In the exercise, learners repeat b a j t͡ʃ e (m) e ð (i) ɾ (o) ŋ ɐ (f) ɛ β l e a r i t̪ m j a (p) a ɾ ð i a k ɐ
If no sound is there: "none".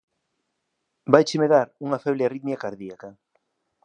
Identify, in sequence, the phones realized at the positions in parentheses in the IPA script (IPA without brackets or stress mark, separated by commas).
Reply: m, a, u, f, k